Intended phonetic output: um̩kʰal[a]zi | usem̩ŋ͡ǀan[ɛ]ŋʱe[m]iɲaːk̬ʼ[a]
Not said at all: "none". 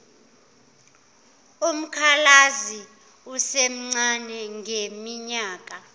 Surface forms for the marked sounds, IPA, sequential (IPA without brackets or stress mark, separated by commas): a, ɛ, m, a